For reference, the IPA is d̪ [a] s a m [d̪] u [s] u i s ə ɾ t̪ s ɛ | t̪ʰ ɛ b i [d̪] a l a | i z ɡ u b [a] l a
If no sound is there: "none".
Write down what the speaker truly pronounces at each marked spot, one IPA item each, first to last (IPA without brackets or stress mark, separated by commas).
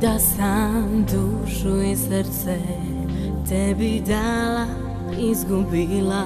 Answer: a, d̪, ʃ, d̪, i